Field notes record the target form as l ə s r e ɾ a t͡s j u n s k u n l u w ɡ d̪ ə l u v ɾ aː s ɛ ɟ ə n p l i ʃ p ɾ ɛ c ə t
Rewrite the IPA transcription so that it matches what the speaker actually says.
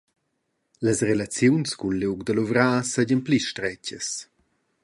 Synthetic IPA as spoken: l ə s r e l a t͡s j u n s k u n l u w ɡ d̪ ə l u v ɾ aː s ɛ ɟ ə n p l i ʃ t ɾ ɛ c ə s